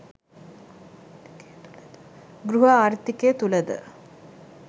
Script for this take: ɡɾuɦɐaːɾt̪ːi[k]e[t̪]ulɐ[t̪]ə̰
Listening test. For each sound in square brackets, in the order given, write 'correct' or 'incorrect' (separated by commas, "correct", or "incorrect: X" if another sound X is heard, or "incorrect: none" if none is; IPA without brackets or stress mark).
correct, correct, incorrect: d̪